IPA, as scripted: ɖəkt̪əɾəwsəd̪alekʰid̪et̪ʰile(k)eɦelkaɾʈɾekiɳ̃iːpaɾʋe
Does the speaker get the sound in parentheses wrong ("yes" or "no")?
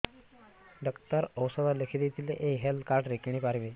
yes